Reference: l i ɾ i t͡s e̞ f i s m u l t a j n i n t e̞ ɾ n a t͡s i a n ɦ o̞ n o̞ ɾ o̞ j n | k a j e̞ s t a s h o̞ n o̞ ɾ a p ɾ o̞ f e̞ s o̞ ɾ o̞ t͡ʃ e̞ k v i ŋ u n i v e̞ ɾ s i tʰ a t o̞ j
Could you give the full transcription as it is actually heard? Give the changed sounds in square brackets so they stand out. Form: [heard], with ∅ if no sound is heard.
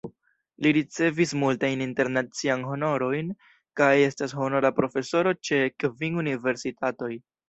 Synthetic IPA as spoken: l i ɾ i t͡s e̞ [v] i s m u l t a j n i n t e̞ ɾ n a t͡s i a n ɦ o̞ n o̞ ɾ o̞ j n | k a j e̞ s t a s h o̞ n o̞ ɾ a p ɾ o̞ f e̞ s o̞ ɾ o̞ t͡ʃ e̞ k v i ŋ u n i v e̞ ɾ s i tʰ a t o̞ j